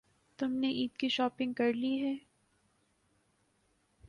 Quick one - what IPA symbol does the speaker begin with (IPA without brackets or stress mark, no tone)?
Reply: t̪